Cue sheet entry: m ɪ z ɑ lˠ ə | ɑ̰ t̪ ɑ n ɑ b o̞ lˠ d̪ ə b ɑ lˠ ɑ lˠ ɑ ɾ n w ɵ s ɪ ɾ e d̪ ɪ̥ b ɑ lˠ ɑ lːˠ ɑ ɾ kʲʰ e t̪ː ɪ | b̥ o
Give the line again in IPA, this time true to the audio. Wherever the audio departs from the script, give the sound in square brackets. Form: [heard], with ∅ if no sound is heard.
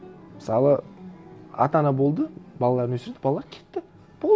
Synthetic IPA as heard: m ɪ [s] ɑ lˠ ə | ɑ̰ t̪ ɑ n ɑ b o̞ lˠ d̪ ə b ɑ lˠ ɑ lˠ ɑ ɾ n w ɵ s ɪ ɾ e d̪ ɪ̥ b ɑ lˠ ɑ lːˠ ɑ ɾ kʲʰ e t̪ː ɪ | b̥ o